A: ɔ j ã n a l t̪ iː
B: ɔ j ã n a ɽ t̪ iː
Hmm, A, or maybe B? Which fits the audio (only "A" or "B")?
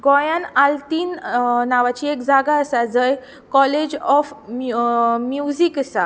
A